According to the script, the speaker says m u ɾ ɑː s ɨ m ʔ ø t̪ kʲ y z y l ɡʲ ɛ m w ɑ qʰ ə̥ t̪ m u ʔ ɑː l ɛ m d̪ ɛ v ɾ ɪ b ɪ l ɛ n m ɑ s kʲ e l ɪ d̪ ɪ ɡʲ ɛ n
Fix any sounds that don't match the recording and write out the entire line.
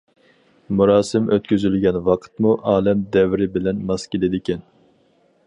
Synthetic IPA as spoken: m u ɾ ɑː s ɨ m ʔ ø t̪ kʲ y z y l ɡʲ ɛ n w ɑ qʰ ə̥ t̪ m u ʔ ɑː l ɛ m d̪ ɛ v ɾ ɪ b ɪ l ɛ n m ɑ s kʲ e l ɪ d̪ ɪ kʲ ɛ n